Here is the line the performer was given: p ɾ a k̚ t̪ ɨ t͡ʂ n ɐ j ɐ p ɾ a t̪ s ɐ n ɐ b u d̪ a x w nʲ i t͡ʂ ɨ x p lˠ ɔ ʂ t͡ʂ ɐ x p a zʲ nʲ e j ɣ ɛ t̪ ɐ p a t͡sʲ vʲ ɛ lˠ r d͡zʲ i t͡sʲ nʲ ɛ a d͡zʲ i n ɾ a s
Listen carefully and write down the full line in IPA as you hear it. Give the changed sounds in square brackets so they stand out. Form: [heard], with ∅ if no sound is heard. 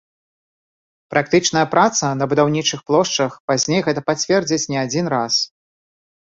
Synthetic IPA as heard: p ɾ a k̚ t̪ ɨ t͡ʂ n ɐ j ɐ p ɾ a t̪ s ɐ n ɐ b u d̪ a [∅] w nʲ i t͡ʂ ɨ x p lˠ ɔ ʂ t͡ʂ ɐ x p a zʲ nʲ e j ɣ ɛ t̪ ɐ p a t͡sʲ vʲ ɛ [∅] r d͡zʲ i t͡sʲ nʲ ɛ a d͡zʲ i n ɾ a s